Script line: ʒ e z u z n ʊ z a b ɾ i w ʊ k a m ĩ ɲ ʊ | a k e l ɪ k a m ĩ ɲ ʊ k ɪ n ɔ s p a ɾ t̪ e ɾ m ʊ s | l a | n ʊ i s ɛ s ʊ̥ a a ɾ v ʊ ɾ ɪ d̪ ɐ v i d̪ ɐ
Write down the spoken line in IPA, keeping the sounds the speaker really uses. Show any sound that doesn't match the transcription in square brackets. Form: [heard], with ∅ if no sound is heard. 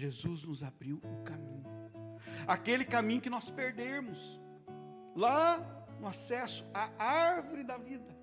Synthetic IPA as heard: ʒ e z u z n ʊ z a b ɾ i w ʊ k a m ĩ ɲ ʊ | a k e l ɪ k a m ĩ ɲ ʊ k ɪ n ɔ s p [e] ɾ [d̪] e ɾ m ʊ s | l a | n ʊ [a] s ɛ s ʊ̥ a a ɾ v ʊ ɾ ɪ d̪ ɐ v i d̪ ɐ